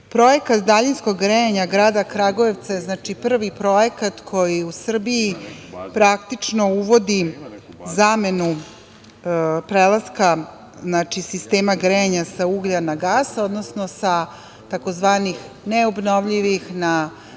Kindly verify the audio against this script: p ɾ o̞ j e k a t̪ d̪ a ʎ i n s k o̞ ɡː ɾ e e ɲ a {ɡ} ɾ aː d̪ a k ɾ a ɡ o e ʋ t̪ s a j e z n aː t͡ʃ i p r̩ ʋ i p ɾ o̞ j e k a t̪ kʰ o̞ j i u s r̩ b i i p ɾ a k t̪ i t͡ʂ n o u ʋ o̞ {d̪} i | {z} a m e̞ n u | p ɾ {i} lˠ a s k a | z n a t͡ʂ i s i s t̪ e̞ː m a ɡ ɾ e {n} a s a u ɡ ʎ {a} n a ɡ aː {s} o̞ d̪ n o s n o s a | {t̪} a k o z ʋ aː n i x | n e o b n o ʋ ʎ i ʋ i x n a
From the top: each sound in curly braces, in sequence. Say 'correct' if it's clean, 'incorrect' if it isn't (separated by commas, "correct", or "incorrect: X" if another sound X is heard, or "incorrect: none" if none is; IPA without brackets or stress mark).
correct, correct, correct, incorrect: e, incorrect: ɲ, correct, correct, correct